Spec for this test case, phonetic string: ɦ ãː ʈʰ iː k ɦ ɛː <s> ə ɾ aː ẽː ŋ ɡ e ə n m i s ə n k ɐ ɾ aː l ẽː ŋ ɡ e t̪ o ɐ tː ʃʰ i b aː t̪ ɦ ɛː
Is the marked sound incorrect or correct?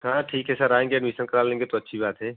correct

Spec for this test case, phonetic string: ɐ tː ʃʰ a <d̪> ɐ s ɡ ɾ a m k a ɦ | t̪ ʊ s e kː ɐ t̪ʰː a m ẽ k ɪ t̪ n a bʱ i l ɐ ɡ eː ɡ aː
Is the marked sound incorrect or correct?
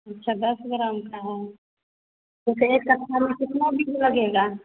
correct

